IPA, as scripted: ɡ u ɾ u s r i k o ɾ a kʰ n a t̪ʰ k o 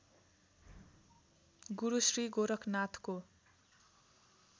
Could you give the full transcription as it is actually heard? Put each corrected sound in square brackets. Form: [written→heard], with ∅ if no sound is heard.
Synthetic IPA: ɡ u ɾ u s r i [k→ɡ] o ɾ [a→ʌ] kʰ n a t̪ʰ k o

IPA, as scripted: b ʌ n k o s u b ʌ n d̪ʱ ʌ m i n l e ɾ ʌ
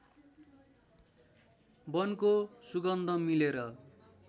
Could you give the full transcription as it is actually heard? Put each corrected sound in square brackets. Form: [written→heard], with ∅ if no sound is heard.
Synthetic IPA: b ʌ n k o s u [b→ɡ] ʌ n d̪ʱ ʌ m i [n→∅] l e ɾ ʌ

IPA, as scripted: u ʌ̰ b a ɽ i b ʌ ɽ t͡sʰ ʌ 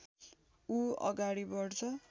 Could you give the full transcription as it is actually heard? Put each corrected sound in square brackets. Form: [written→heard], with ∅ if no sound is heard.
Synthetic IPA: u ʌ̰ [b→ɡ] a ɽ i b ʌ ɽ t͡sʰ ʌ

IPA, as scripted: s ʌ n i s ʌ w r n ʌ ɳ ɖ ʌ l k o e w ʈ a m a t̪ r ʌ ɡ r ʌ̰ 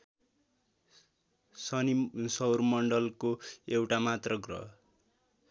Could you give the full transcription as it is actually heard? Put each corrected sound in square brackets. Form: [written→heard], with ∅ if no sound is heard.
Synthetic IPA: s ʌ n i s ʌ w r [n→m] ʌ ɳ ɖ ʌ l k o e w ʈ a m a t̪ r ʌ ɡ r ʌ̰

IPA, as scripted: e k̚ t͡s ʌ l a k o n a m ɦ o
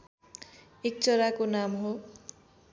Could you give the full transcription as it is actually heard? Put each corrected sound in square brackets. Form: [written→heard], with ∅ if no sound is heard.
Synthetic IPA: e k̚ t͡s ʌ [l→ɾ] a k o n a m ɦ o

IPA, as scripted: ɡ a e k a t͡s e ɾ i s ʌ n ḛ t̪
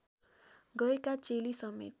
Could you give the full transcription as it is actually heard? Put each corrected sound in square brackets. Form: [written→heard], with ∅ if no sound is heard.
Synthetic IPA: ɡ [a→ʌ] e k a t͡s e [ɾ→l] i s ʌ [n→m] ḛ t̪

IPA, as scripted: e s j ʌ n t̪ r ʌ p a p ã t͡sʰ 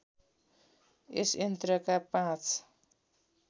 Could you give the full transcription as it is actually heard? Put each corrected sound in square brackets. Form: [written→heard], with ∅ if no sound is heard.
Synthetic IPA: e s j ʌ n t̪ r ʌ [p→k] a p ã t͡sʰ

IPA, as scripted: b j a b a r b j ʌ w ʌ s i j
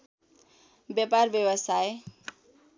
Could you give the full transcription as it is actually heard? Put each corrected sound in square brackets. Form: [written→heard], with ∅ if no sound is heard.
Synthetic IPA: b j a [b→p] a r b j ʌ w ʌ s [i→a] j

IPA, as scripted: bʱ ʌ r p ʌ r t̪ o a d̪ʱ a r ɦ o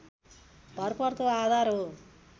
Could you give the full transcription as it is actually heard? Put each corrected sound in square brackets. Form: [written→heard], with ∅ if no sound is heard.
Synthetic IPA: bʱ ʌ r p ʌ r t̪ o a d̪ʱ a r ɦ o

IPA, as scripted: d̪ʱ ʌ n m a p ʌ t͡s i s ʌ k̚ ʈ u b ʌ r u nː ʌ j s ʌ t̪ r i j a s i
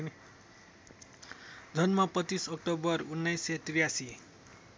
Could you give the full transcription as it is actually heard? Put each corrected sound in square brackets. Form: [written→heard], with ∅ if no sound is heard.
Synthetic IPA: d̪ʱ ʌ n m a p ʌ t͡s i s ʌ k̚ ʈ [u→o] b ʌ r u nː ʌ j s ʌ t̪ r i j a s i

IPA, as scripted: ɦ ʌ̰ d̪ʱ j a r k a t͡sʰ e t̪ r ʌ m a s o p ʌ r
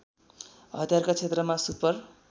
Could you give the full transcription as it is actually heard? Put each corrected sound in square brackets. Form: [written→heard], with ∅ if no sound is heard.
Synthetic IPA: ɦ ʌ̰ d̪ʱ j a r k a t͡sʰ e t̪ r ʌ m a s [o→u] p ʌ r

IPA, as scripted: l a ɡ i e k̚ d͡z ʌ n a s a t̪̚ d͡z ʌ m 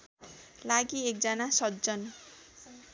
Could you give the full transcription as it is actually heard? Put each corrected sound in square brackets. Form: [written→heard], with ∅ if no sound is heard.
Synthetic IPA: l a ɡ i e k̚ d͡z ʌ n a s [a→ʌ] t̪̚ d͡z ʌ [m→n]

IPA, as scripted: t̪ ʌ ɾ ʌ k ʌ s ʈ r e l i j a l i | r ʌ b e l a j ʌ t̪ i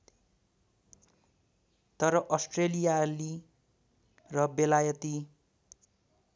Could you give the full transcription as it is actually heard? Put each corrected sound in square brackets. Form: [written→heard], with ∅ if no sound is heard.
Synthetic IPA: t̪ ʌ ɾ ʌ [k→ʔ] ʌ s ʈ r e l i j a l i | r ʌ b e l a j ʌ t̪ i

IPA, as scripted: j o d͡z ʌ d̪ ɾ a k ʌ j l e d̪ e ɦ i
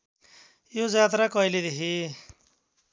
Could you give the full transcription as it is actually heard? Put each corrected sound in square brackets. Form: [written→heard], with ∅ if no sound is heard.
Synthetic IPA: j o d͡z [ʌ→a] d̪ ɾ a k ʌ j l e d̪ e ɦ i

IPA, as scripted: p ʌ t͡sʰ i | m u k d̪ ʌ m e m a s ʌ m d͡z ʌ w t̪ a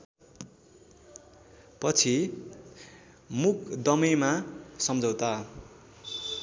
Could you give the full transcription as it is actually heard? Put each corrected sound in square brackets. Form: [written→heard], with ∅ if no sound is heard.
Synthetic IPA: p ʌ t͡sʰ i | m u k d̪ ʌ m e m a s ʌ m d͡z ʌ w t̪ a

